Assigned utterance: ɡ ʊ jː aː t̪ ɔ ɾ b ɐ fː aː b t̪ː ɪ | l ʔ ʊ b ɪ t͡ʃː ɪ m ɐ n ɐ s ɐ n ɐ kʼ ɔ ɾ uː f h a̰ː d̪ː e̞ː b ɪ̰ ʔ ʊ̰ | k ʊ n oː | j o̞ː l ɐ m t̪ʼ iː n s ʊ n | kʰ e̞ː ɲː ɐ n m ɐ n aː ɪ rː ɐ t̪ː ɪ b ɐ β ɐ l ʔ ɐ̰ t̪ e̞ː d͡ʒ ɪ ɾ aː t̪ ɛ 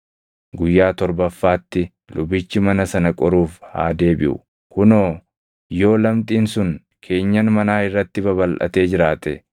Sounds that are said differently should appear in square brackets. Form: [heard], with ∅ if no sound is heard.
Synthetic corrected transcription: ɡ ʊ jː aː t̪ ɔ ɾ b ɐ fː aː [∅] t̪ː ɪ | l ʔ ʊ b ɪ t͡ʃː ɪ m ɐ n ɐ s ɐ n ɐ kʼ ɔ ɾ uː f h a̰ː [d̪] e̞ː b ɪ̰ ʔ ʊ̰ | k ʊ n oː | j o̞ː l ɐ m t̪ʼ iː n s ʊ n | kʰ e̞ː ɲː ɐ n m ɐ n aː ɪ rː ɐ t̪ː ɪ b ɐ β ɐ l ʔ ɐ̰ t̪ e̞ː d͡ʒ ɪ ɾ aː t̪ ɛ